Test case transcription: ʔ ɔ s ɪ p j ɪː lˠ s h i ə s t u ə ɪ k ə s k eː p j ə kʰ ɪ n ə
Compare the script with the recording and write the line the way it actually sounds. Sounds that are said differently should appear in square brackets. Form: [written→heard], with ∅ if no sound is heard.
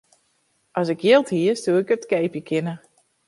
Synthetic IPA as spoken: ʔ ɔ s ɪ [p→k] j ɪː lˠ [s→t] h i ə s t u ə ɪ k ə [s→t] k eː p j ə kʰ ɪ n ə